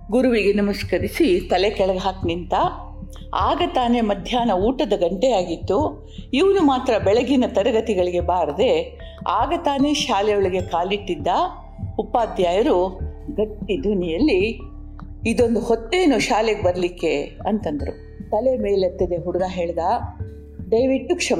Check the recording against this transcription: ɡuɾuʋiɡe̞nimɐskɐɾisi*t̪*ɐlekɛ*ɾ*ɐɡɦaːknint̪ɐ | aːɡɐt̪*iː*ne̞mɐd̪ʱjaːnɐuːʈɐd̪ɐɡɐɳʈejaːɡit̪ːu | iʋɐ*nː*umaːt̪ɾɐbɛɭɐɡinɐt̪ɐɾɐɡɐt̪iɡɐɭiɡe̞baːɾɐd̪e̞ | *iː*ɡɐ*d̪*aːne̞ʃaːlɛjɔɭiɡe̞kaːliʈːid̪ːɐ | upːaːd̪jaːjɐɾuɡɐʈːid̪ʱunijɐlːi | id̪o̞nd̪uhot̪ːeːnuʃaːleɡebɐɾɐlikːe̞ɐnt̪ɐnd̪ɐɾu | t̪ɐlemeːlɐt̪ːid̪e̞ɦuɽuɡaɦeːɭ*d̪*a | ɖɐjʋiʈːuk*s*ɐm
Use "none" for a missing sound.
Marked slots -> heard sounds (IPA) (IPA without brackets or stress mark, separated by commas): t̪, ɭ, aː, n, aː, t̪, d̪, ʂ